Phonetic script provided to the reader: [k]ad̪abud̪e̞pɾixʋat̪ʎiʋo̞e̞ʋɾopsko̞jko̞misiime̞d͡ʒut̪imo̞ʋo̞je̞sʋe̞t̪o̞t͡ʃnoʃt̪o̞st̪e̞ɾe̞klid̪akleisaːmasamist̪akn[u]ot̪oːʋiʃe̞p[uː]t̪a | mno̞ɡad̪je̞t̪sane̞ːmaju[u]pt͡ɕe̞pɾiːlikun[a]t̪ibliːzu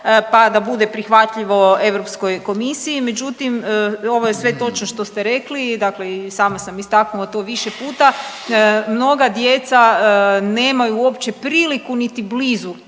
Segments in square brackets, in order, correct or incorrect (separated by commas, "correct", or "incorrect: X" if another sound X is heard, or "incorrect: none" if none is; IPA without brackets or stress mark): incorrect: p, correct, correct, incorrect: o, incorrect: i